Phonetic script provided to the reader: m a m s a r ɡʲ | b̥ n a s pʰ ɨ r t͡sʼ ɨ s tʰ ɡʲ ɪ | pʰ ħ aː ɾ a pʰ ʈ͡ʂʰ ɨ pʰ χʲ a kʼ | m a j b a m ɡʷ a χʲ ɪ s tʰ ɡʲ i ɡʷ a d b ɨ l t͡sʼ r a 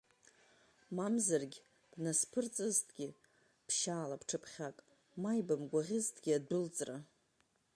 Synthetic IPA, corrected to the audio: m a m z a r ɡʲ | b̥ n a s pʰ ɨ r t͡sʼ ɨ z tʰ ɡʲ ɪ | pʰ ʃ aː l a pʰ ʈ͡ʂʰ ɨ pʰ χʲ a kʼ | m a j b a m ɡʷ a ʁʲ ɪ z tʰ ɡʲ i a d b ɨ l t͡sʼ r a